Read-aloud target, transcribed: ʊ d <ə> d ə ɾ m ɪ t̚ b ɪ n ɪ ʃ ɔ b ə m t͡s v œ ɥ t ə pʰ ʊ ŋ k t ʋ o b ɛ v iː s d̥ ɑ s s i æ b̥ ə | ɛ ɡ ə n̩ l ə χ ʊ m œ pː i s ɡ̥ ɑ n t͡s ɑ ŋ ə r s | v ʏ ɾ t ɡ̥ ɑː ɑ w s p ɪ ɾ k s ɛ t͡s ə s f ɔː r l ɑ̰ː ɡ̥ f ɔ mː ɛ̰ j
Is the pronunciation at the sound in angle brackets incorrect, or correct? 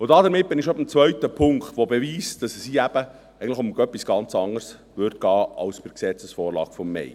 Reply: incorrect